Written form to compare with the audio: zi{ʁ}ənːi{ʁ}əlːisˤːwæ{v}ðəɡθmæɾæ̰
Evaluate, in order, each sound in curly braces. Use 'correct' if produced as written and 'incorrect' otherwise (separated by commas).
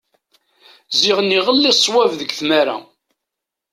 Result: correct, correct, correct